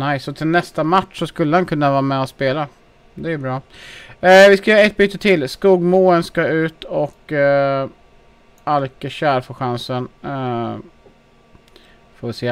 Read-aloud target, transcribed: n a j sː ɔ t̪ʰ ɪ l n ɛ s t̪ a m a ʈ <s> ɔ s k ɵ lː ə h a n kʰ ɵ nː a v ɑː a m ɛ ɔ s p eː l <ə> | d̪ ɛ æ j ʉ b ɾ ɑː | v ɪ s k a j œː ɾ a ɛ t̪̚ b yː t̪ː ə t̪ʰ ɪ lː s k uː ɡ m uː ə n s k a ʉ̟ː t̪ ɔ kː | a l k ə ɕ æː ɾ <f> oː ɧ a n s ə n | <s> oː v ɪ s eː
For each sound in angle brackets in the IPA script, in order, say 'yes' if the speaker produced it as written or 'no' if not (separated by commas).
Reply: no, no, yes, no